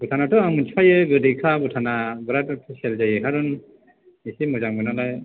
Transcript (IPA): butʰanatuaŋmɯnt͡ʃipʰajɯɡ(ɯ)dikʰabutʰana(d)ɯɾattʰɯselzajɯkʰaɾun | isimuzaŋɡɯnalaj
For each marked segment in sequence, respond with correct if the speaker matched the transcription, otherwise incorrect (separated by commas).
correct, incorrect